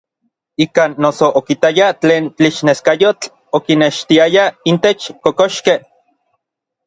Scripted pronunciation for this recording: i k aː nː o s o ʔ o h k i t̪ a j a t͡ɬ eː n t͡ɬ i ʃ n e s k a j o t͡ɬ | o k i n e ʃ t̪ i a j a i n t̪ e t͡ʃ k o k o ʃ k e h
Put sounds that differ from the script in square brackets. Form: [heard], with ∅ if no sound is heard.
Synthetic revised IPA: i k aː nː o s o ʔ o [∅] k i t̪ a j a t͡ɬ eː n t͡ɬ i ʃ n e s k a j o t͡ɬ | o k i n e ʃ t̪ i a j a i n t̪ e t͡ʃ k o k o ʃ k e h